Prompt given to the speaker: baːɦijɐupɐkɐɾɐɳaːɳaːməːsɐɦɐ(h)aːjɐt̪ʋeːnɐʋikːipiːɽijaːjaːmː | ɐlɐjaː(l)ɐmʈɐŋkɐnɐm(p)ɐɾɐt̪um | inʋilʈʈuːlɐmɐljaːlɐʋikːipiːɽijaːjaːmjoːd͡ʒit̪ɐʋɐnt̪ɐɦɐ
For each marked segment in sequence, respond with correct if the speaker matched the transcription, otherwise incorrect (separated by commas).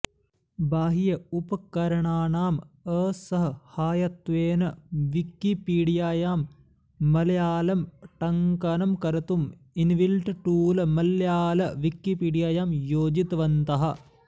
correct, correct, incorrect